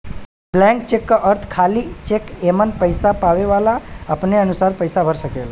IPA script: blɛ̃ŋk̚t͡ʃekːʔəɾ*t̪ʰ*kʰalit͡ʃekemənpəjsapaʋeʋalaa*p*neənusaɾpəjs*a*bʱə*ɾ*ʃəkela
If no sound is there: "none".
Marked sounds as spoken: t̪ʰ, p, a, ɾ

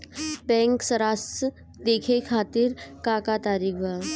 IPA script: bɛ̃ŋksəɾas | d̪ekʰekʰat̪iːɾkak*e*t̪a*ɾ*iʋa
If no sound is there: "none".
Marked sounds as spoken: a, ɾ

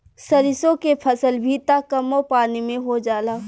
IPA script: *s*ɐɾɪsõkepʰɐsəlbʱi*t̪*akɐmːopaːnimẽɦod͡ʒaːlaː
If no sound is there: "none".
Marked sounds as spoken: s, t̪

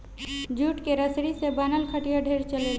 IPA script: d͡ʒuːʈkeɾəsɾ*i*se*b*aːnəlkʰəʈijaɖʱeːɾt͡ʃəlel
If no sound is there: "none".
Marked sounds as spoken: i, b

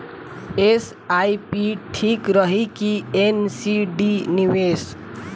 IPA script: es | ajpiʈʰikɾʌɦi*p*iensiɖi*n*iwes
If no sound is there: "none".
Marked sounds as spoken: k, n

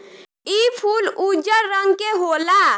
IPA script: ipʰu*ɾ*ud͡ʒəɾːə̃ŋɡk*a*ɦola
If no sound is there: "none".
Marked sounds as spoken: l, e

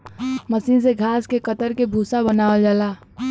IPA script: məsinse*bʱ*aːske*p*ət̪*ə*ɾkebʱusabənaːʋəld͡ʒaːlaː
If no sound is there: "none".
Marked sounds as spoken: ɡʱ, k, ə

